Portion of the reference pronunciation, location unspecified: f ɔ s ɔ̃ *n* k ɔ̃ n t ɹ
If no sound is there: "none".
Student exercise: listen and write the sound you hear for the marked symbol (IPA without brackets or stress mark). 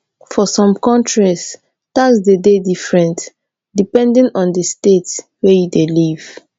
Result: m